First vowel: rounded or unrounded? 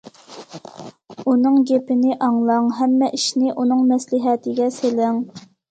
rounded